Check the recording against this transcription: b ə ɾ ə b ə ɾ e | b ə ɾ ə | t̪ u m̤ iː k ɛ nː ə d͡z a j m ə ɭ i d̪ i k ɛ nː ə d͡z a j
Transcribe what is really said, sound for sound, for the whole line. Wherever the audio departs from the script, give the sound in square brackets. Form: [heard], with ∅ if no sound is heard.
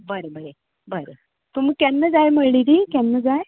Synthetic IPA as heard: b ə ɾ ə b ə ɾ e | b ə ɾ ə | t̪ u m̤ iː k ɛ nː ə d͡z a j m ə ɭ i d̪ i k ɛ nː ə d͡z a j